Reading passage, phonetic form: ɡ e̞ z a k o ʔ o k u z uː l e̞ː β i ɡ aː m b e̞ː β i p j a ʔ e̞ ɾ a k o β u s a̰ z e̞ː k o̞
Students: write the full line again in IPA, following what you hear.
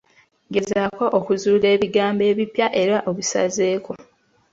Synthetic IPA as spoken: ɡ e̞ z a k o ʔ o k u z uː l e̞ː β i ɡ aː m b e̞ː β i p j a ʔ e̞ ɾ a ʔ o β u s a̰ z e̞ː k o̞